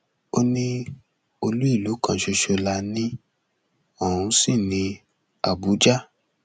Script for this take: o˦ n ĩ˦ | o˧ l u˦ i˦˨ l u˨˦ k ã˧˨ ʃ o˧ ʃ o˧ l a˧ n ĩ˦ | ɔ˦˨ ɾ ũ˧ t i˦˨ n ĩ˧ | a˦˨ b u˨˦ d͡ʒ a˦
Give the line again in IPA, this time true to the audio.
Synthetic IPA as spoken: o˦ n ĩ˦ | o˧ l u˦ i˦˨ l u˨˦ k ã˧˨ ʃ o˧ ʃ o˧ l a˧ n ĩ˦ | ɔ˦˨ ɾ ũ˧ s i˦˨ n ĩ˧ | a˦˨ b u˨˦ d͡ʒ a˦